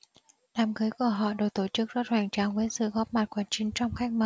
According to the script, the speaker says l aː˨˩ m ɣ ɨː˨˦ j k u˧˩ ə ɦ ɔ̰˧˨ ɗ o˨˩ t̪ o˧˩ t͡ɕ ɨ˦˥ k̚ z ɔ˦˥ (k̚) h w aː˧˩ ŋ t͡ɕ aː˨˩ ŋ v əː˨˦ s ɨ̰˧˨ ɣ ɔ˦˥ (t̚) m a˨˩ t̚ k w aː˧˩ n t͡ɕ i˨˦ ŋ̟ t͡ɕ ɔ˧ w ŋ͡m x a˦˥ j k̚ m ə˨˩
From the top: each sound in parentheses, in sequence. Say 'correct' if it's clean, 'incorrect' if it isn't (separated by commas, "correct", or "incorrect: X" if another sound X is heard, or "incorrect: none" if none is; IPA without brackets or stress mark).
incorrect: t̚, incorrect: p̚